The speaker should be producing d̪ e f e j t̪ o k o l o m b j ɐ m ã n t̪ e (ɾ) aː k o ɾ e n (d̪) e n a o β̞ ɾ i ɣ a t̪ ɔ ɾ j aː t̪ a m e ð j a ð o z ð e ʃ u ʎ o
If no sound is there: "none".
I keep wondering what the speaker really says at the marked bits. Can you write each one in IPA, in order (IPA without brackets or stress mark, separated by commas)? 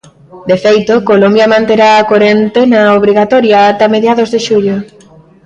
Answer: ɾ, t̪